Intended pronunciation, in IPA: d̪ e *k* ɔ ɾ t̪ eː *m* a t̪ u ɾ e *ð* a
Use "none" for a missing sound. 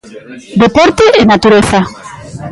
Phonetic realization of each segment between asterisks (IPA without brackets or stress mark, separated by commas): p, n, θ